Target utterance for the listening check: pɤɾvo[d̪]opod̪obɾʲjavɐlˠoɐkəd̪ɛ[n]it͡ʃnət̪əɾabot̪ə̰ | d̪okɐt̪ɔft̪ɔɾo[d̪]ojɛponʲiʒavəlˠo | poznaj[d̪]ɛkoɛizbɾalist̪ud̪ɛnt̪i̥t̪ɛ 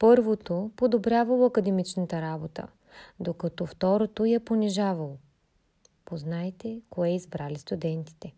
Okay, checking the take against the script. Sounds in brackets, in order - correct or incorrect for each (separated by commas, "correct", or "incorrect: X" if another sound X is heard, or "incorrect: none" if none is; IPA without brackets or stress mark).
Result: incorrect: t̪, incorrect: m, incorrect: t̪, incorrect: t̪